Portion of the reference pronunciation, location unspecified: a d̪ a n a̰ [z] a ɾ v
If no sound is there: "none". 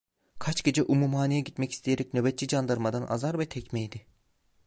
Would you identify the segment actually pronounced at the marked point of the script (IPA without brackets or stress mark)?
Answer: z